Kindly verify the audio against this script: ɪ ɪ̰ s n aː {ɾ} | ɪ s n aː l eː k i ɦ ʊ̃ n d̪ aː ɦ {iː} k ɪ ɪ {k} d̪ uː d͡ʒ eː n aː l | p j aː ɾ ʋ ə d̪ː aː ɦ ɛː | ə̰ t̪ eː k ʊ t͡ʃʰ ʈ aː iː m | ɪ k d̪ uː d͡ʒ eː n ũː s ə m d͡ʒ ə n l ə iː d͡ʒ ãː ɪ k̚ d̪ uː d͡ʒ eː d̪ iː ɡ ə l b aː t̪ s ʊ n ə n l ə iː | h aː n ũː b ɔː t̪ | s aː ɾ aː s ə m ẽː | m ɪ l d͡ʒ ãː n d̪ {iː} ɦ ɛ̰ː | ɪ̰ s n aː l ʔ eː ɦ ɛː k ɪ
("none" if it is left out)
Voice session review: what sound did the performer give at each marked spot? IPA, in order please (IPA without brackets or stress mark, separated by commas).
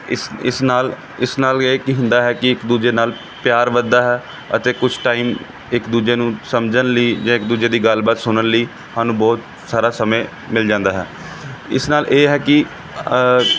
l, ɛː, k, aː